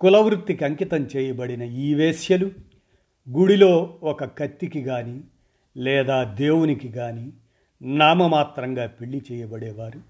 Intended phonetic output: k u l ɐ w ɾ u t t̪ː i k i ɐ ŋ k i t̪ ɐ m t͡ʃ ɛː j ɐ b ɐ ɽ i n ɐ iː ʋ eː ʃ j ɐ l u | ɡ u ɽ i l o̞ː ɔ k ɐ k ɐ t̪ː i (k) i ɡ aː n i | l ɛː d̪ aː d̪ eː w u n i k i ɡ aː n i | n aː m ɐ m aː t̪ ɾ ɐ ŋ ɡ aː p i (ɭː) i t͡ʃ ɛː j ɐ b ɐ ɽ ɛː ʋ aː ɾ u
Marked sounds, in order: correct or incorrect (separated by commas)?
correct, correct